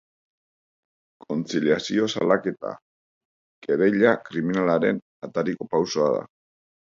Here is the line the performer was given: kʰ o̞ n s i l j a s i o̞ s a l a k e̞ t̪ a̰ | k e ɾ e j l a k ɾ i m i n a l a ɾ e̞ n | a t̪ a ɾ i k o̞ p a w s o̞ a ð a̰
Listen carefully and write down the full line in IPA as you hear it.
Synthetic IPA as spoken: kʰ o̞ n t͡s i l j a s i o̞ s a l a k e̞ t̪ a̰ | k e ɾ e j ʎ a k ɾ i m i n a l a ɾ e̞ n | a t̪ a ɾ i k o̞ p a w s o̞ a ð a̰